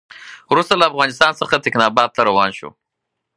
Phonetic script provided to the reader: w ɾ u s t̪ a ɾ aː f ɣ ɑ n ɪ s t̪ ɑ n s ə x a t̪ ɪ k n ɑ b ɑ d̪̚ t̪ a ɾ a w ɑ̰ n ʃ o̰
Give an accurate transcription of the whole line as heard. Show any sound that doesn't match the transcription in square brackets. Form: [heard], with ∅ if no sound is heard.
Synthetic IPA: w ɾ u s t̪ a [l] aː f ɣ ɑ n ɪ s t̪ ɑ n s ə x a t̪ ɪ k n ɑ b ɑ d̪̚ t̪ a ɾ a w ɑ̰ n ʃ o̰